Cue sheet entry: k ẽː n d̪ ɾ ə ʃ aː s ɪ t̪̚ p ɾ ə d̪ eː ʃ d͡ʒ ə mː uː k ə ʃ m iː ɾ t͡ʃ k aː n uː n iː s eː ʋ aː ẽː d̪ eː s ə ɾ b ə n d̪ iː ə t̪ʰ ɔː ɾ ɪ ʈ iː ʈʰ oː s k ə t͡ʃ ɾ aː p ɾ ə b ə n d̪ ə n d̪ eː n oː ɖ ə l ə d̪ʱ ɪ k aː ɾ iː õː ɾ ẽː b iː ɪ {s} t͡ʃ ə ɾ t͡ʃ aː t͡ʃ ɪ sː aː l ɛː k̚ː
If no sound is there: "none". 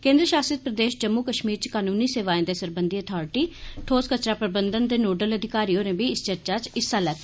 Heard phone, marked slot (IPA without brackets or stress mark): s